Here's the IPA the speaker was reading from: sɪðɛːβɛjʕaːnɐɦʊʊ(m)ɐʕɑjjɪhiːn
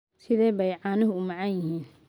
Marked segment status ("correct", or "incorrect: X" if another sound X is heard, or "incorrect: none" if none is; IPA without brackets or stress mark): correct